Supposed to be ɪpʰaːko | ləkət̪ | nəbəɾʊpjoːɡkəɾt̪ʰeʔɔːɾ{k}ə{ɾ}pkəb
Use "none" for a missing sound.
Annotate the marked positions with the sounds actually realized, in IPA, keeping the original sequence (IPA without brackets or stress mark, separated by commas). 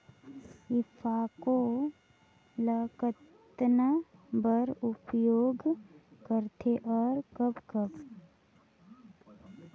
k, none